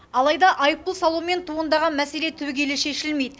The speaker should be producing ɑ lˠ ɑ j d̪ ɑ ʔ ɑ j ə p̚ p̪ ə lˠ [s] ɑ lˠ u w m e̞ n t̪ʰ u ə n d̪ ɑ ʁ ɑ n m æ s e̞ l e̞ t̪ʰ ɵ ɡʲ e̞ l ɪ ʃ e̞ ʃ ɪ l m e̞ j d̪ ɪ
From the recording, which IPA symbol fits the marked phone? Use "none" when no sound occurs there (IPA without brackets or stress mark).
s